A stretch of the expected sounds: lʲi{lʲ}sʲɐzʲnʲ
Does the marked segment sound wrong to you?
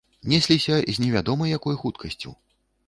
yes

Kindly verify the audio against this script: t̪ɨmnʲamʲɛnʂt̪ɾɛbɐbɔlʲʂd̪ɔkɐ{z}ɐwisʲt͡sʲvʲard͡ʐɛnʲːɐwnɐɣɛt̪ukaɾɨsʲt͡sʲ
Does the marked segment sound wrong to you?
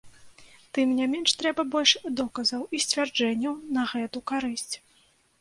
no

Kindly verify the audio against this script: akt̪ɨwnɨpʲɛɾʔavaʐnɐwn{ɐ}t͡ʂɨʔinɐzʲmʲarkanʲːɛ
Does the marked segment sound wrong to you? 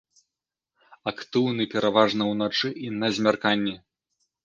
yes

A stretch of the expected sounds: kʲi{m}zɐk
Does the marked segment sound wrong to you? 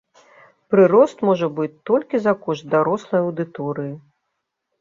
yes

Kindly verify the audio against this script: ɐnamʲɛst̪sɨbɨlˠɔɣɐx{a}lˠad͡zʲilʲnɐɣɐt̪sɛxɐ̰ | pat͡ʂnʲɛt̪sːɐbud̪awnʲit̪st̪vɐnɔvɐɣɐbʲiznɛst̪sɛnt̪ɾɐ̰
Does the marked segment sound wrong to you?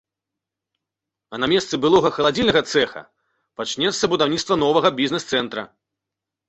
yes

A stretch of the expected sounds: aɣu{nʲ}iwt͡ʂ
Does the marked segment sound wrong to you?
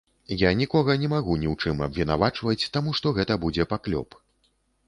no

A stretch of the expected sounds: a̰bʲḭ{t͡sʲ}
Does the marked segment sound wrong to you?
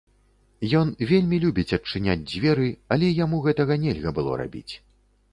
no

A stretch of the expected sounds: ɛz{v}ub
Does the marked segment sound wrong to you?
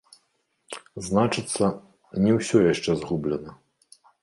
yes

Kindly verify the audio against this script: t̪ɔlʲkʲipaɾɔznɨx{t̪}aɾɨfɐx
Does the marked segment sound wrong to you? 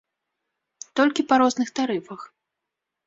no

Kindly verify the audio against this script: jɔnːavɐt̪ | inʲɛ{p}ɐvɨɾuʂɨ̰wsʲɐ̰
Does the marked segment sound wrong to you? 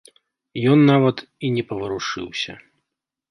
no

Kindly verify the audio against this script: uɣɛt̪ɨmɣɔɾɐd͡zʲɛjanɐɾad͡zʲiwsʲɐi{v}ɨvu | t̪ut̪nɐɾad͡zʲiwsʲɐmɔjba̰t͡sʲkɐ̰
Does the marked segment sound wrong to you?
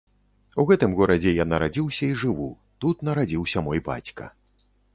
yes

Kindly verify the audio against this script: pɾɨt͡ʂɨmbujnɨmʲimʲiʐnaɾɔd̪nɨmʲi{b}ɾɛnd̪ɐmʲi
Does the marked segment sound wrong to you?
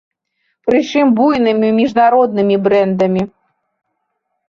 no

